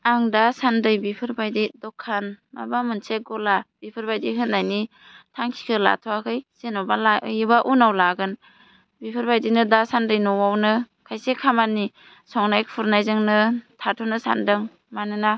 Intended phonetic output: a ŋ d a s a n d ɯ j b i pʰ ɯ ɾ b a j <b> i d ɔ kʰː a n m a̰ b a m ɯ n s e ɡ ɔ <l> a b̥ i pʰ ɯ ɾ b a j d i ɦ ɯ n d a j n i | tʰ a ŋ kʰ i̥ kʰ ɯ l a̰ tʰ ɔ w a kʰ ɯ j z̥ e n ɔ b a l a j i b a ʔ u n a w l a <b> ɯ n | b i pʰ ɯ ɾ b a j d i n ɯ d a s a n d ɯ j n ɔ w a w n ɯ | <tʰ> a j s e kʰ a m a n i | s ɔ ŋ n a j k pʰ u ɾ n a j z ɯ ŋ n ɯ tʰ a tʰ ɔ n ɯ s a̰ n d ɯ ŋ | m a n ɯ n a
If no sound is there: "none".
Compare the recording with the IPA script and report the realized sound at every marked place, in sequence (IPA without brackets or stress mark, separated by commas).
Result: d, l, ɡ, kʰ